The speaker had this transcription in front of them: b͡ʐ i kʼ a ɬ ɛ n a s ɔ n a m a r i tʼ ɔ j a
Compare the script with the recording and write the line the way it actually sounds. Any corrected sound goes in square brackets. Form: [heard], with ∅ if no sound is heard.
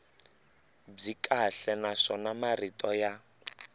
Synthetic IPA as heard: b͡ʐ i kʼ a ɬ ɛ n a [ʂ] ɔ n a m a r i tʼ ɔ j a